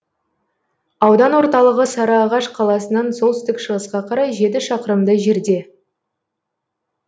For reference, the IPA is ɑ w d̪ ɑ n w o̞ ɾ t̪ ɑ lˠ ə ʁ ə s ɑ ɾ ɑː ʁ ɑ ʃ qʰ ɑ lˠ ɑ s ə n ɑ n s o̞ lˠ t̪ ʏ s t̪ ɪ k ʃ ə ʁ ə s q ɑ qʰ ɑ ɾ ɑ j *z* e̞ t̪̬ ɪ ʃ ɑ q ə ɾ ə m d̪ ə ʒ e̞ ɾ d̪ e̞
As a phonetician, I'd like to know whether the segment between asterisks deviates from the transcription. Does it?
yes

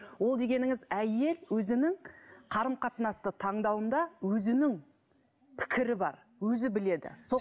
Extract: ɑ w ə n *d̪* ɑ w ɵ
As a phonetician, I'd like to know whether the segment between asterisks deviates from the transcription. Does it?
no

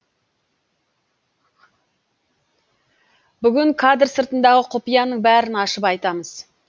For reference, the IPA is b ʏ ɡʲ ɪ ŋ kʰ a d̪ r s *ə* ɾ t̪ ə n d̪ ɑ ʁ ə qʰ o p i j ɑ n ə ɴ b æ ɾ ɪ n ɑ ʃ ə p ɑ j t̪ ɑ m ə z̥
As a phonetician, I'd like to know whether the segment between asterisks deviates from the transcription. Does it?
no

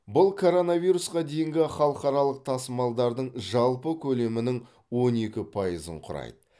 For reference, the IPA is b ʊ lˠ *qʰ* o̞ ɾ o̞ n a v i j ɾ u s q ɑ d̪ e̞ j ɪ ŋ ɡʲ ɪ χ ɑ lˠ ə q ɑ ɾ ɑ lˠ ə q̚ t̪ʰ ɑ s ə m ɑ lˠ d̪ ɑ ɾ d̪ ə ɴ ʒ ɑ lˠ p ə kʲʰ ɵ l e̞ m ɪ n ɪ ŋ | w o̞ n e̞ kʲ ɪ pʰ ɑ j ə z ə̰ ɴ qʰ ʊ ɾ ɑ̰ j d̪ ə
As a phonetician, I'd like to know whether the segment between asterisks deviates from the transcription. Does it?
yes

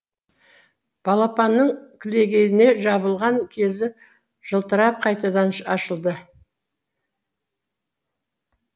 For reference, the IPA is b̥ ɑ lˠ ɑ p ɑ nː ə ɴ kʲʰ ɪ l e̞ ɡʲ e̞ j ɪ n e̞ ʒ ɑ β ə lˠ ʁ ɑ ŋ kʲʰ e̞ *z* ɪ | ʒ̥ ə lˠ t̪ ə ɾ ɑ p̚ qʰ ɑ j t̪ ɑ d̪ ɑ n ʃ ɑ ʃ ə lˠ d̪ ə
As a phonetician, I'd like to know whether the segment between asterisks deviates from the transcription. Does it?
no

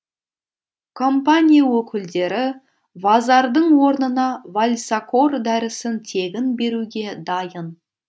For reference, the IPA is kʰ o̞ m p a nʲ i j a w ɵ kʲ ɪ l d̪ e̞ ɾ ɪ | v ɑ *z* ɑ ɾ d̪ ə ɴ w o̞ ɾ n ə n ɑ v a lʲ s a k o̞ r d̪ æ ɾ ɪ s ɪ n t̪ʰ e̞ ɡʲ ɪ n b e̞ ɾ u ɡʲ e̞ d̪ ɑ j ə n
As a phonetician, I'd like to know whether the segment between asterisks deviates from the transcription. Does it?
no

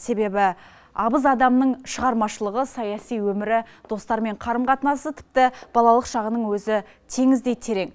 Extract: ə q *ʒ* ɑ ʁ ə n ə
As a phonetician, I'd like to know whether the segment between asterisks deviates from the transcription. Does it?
yes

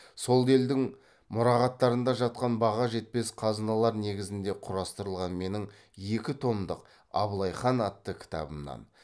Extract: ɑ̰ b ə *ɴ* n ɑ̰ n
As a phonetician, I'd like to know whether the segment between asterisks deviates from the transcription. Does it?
yes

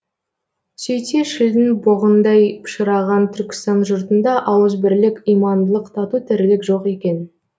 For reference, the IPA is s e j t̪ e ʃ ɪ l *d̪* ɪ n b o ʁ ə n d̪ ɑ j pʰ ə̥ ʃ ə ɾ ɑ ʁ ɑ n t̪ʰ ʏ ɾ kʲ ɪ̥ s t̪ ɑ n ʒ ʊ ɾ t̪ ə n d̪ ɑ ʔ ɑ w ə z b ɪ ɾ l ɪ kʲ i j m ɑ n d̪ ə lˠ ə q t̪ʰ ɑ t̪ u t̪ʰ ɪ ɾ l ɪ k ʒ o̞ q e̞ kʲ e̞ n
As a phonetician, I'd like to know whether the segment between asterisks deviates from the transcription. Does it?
no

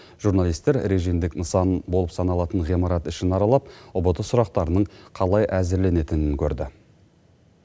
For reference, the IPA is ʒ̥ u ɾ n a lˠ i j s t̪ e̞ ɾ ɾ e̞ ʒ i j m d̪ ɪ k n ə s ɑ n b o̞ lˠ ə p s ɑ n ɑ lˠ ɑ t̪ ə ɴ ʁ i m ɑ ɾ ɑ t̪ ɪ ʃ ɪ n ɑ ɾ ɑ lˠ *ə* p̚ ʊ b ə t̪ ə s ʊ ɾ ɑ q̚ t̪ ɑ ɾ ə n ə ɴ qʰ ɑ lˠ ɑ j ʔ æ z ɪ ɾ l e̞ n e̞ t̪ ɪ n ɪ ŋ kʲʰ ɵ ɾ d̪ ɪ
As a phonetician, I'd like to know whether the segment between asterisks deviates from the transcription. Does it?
yes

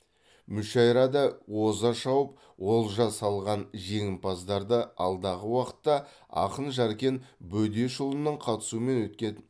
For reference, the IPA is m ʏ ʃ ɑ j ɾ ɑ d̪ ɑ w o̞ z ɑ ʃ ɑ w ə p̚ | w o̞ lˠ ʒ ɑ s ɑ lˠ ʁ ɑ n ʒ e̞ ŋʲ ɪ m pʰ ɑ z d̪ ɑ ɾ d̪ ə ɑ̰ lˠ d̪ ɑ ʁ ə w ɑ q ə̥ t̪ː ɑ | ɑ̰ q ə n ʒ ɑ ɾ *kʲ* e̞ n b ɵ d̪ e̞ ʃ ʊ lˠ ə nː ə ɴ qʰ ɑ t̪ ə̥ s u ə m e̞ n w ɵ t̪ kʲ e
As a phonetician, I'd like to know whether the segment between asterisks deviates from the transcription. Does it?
no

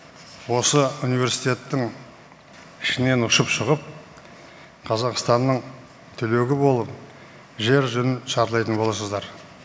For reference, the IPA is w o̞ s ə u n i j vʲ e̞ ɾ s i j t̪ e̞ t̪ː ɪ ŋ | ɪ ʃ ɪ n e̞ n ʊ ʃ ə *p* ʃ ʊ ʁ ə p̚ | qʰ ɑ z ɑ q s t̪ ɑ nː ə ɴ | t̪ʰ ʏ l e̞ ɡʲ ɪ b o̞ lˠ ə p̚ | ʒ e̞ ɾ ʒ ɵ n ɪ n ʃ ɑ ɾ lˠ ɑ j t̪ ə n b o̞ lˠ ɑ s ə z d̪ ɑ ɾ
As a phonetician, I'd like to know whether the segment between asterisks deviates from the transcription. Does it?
no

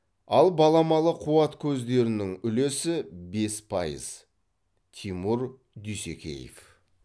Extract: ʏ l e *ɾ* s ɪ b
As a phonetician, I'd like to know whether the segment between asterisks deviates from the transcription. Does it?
yes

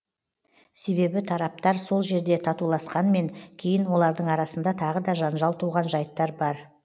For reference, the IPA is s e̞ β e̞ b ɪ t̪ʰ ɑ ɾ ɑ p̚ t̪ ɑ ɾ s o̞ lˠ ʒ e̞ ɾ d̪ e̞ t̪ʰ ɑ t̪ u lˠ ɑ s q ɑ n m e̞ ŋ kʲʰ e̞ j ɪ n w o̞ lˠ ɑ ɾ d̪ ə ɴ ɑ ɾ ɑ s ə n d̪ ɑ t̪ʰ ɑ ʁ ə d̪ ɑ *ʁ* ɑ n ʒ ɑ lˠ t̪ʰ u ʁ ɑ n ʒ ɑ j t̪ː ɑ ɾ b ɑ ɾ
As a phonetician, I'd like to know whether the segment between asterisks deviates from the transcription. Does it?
yes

